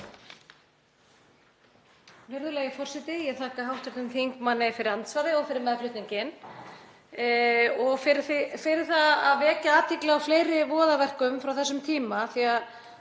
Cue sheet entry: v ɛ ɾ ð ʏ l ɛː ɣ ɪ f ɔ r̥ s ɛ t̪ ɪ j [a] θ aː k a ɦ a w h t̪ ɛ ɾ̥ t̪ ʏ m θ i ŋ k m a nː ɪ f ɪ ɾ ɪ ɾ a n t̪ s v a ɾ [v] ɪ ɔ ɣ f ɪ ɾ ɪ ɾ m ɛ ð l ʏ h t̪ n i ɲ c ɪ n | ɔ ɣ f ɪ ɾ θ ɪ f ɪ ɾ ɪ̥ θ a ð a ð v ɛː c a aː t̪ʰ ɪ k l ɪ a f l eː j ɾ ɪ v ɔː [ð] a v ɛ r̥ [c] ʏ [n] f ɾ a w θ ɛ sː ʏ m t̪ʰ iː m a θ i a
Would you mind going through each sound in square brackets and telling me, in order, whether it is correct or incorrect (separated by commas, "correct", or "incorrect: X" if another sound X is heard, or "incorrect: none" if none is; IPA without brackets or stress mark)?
incorrect: ɛ, incorrect: ð, correct, incorrect: k, incorrect: m